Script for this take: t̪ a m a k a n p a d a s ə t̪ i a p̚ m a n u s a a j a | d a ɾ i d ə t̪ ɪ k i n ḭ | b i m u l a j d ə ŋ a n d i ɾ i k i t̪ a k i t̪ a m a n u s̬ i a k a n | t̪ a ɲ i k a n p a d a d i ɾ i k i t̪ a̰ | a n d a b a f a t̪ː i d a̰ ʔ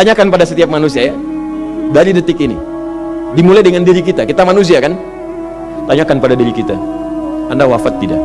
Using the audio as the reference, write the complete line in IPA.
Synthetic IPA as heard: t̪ a ɲ a k a n p a d a s ə t̪ i a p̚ m a n u s i a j a | d a ɾ i d ə t̪ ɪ k i n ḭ | d i m u l a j d ə ŋ a n d i ɾ i k i t̪ a k i t̪ a m a n u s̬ i a k a n | t̪ a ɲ a k a n p a d a d i ɾ i k i t̪ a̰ | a n d a w a f a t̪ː i d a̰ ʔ